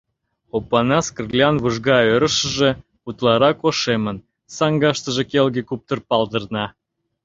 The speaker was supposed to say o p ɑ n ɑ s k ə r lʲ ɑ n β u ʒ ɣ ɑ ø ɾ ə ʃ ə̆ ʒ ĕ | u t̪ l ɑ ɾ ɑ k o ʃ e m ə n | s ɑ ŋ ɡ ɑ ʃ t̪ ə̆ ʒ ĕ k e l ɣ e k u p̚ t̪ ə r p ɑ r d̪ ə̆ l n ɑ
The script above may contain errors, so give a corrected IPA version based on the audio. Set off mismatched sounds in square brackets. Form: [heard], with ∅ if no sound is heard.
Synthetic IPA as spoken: o p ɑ n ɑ s k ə r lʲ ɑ n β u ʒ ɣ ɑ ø ɾ ə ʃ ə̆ ʒ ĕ | u t̪ l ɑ ɾ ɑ k o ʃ e m ə n | s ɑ ŋ ɡ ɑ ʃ t̪ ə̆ ʒ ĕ k e l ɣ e k u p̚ t̪ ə r p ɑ [l] d̪ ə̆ [r] n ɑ